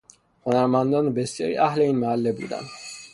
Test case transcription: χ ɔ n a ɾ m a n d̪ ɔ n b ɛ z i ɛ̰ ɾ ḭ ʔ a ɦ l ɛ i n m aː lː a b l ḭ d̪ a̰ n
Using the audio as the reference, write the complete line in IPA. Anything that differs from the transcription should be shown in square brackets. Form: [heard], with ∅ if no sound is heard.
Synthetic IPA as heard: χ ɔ n a ɾ m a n d̪ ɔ n b ɛ [s] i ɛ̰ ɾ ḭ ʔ a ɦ l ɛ i n m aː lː [ɛ] b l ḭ d̪ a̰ n